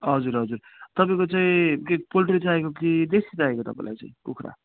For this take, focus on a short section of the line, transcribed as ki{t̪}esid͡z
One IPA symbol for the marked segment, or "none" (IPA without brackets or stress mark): d̪